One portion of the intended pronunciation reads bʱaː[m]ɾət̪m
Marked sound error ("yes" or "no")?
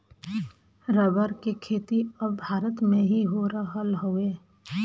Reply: yes